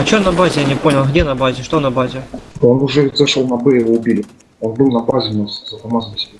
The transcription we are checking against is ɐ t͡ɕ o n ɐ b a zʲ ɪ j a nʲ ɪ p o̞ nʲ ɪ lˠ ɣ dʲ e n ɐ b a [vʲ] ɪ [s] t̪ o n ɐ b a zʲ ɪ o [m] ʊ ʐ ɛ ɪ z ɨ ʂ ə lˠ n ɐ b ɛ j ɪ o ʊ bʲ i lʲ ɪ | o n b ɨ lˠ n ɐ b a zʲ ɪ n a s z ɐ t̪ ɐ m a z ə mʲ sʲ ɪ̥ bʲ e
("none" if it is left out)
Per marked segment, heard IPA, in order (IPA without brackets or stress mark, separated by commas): zʲ, ʂ, n